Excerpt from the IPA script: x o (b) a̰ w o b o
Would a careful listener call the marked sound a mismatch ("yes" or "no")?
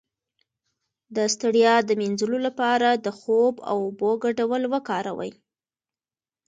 no